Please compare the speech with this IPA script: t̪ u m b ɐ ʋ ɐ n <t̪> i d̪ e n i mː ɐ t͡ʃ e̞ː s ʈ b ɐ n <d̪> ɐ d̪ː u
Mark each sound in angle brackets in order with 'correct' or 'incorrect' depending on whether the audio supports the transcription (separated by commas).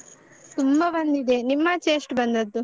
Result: incorrect, correct